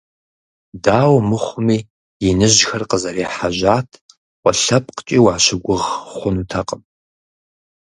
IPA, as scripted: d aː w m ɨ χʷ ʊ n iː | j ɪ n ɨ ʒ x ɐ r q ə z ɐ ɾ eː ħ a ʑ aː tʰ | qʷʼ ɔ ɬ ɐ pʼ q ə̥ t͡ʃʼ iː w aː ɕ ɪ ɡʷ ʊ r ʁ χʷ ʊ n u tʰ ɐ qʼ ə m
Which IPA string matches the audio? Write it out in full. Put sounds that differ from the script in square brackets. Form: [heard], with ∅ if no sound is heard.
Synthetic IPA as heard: d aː w m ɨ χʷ ʊ [m] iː | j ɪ n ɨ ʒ x ɐ r q ə z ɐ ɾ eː ħ a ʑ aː tʰ | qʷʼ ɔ ɬ ɐ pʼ q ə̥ t͡ʃʼ iː w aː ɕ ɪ ɡʷ ʊ [∅] ʁ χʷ ʊ n u tʰ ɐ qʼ ə m